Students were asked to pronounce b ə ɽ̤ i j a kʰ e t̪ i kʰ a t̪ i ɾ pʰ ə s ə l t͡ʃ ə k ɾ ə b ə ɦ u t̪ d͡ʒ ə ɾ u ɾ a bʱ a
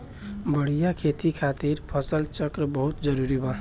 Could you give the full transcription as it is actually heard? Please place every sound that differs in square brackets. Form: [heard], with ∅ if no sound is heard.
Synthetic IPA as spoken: b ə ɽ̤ i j a kʰ e t̪ i kʰ a t̪ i ɾ pʰ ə s ə l t͡ʃ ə k ɾ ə b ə ɦ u t̪ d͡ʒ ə ɾ u ɾ [i] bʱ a